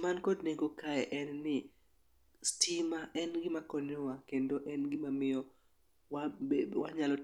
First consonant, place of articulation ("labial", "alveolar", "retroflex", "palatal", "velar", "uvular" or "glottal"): labial